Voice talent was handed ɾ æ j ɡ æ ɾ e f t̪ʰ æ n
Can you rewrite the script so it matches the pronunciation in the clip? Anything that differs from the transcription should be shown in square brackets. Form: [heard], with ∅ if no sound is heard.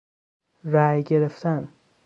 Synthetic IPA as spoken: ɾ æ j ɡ [e] ɾ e f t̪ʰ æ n